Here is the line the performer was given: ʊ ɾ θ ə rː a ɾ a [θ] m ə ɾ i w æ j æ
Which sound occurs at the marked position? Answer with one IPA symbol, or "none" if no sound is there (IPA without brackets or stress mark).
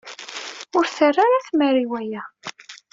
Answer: θ